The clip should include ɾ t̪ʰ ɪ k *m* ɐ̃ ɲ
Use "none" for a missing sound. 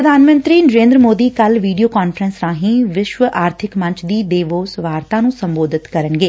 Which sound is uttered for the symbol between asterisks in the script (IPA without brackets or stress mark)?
m